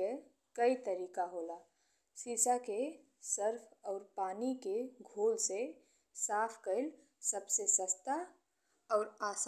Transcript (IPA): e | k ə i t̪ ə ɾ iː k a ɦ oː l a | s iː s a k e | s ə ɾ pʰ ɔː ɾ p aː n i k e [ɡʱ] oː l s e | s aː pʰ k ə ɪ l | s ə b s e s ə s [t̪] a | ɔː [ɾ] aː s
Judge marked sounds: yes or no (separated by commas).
yes, yes, yes